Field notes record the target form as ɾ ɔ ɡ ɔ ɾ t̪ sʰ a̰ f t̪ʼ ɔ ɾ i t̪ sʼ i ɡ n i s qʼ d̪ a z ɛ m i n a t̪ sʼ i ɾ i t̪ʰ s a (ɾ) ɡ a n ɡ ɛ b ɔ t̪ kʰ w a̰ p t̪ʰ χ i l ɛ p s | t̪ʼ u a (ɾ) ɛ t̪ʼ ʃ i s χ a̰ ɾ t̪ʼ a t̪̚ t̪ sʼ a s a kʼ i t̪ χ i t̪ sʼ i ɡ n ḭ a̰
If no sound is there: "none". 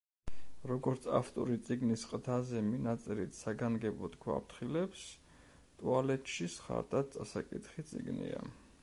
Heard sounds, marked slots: none, l

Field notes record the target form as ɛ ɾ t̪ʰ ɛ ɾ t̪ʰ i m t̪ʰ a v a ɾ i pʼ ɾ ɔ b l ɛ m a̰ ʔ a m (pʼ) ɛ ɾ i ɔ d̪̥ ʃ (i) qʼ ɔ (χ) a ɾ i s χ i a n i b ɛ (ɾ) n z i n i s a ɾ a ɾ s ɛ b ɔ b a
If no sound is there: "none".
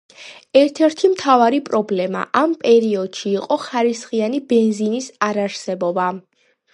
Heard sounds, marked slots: pʼ, iː, χ, none

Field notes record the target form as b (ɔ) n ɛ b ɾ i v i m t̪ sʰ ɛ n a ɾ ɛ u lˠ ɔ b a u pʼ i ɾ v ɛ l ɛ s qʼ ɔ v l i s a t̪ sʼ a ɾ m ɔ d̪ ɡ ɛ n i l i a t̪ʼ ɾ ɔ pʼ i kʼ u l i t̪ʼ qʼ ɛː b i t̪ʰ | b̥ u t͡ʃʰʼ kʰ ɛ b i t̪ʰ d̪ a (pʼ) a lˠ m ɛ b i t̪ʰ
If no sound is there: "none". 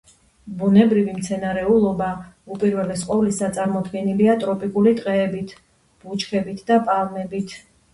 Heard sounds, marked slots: u, pʼ

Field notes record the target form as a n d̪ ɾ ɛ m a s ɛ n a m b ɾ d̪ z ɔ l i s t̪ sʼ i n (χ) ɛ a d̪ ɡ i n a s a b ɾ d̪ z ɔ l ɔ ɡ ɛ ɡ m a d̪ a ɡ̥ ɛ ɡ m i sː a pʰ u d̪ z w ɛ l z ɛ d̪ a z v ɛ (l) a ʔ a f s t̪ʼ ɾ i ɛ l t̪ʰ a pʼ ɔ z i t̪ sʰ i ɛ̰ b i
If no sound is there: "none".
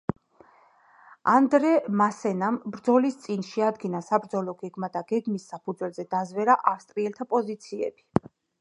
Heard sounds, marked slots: ʃ, ɾ

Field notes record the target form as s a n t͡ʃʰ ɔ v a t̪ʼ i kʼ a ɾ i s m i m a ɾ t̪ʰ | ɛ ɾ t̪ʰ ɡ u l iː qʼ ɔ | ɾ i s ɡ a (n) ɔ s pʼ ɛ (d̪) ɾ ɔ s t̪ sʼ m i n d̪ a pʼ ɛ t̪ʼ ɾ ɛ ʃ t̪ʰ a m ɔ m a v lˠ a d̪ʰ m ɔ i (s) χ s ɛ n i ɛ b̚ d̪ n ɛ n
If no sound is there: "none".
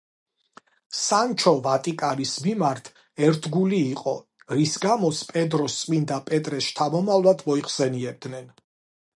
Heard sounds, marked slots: m, d̪, none

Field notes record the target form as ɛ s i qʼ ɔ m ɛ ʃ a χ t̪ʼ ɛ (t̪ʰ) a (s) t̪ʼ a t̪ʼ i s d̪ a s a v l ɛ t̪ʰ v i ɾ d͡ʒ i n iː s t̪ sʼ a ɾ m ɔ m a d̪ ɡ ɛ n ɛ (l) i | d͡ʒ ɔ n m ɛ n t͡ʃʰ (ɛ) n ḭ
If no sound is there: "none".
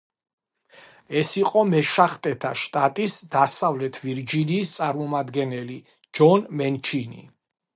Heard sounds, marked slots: t̪ʰ, ʃ, l, i

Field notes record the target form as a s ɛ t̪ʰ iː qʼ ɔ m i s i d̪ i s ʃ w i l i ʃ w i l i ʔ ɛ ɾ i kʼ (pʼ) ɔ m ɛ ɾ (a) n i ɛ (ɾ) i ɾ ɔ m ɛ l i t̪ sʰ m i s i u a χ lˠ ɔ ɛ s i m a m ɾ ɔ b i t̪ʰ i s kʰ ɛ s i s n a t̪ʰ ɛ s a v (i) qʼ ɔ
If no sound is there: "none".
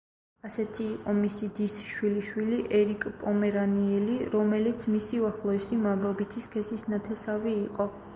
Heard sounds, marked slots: pʼ, a, l, iː

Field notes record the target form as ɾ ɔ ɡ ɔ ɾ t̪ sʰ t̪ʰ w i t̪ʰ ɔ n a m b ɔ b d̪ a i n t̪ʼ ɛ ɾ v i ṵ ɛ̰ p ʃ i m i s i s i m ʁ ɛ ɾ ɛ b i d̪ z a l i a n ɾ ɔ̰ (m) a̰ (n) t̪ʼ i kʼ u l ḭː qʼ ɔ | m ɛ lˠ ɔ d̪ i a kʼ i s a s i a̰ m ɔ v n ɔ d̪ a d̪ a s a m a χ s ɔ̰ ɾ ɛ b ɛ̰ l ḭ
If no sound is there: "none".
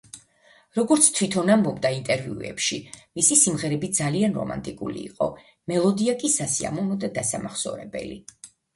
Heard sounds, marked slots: m, n

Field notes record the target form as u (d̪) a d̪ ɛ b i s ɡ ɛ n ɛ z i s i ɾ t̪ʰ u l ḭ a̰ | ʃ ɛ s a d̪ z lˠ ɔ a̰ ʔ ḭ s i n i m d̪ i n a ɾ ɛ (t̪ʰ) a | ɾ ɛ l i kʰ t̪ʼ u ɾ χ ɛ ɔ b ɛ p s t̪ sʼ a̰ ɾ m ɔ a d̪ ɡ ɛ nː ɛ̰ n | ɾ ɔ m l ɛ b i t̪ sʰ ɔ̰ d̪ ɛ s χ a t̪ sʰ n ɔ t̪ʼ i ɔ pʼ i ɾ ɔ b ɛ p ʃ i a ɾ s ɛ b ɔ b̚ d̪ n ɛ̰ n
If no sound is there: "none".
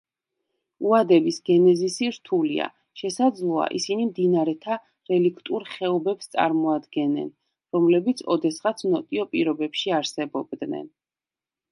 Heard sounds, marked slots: none, t̪ʰ

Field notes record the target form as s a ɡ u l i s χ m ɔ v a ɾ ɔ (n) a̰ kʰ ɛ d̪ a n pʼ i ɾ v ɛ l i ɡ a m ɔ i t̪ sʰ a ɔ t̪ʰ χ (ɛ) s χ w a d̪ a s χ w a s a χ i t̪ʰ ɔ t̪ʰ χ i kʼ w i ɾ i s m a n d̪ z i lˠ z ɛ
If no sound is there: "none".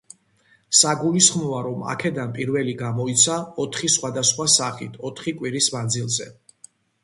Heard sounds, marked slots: m, i

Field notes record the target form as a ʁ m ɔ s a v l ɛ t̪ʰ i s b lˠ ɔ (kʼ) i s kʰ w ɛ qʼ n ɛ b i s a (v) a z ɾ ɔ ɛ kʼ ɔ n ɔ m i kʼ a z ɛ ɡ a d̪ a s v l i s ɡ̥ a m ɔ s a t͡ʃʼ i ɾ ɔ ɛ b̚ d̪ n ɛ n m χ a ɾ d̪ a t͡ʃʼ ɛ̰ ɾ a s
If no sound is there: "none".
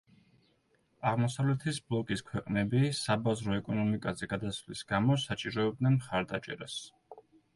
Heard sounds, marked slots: kʼ, b

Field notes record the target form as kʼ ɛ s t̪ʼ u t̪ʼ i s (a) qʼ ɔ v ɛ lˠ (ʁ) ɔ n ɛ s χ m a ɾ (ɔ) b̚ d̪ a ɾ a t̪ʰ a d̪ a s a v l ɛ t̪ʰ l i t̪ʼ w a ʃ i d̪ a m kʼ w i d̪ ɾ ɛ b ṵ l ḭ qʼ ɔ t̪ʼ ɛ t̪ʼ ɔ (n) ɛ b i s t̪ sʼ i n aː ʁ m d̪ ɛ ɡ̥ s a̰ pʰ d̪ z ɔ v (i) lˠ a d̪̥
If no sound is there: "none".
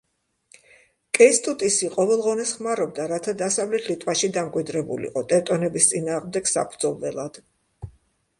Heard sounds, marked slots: i, ʁ, ɔ, n, ɛ

